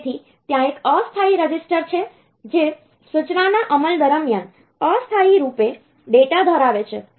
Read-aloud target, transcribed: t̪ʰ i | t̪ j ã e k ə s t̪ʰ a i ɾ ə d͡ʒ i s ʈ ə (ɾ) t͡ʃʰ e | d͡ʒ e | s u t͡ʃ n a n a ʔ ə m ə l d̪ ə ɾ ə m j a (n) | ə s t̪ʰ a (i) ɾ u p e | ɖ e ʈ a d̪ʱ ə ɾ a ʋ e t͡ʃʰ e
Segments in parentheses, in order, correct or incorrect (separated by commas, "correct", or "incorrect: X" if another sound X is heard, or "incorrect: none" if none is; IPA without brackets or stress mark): correct, correct, correct